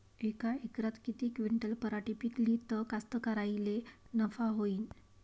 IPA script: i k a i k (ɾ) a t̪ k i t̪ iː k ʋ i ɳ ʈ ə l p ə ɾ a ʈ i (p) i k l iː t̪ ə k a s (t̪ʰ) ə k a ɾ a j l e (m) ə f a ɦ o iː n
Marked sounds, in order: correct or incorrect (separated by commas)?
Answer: correct, correct, incorrect, incorrect